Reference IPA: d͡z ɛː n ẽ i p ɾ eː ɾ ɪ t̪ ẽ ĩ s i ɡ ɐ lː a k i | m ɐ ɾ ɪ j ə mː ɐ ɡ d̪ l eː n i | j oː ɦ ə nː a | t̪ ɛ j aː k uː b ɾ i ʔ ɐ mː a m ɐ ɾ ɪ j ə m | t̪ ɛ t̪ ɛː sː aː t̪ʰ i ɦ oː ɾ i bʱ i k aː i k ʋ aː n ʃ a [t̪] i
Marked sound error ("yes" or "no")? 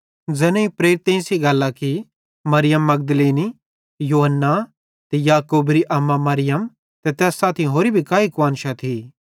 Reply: yes